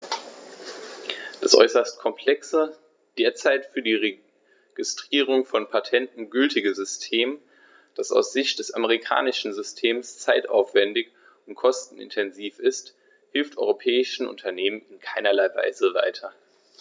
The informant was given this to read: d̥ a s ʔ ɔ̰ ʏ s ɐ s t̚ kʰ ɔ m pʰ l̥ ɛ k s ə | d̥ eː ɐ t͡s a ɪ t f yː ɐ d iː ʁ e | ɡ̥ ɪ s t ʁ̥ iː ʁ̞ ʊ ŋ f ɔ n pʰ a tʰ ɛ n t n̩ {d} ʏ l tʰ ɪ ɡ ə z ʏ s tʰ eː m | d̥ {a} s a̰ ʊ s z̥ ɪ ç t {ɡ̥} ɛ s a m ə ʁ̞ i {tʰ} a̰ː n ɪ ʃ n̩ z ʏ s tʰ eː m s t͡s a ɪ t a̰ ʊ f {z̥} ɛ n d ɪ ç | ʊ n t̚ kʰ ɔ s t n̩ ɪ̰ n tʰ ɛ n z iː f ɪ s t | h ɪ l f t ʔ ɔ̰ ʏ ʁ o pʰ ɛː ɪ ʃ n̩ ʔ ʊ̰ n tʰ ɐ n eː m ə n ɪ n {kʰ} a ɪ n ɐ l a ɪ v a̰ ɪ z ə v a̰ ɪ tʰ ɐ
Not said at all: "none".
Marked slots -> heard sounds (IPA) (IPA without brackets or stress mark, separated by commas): ɡ, a, d̥, kʰ, v̥, kʰ